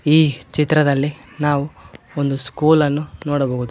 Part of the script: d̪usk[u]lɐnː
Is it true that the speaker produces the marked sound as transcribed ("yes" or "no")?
no